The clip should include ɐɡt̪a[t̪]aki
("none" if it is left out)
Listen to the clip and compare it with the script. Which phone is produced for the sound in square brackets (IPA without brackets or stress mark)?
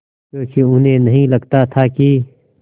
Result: t̪ʰ